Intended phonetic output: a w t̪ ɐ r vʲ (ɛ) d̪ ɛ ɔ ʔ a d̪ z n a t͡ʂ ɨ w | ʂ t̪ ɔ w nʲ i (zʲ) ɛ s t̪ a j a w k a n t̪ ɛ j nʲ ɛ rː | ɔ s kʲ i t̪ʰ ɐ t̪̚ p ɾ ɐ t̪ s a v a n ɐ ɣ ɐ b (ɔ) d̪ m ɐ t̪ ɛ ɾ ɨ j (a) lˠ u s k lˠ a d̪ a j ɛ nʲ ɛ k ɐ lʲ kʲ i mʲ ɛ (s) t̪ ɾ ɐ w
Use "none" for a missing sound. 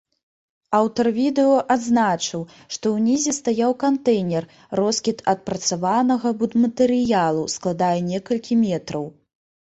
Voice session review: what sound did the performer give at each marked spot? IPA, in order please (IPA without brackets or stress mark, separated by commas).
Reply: i, zʲ, u, a, none